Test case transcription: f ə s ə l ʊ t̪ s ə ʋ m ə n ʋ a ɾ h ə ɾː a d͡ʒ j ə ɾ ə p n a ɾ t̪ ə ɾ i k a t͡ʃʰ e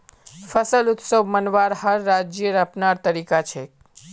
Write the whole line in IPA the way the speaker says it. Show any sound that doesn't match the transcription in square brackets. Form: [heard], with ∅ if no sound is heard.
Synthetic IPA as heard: f ə s ə l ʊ t̪ s ə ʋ m ə n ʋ a ɾ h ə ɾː a d͡ʒ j ə ɾ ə p n a ɾ t̪ ə ɾ i k a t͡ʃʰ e